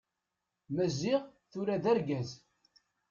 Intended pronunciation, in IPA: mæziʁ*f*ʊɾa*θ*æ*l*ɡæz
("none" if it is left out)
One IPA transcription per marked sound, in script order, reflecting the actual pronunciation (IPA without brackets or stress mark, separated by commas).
θ, ð, ɾ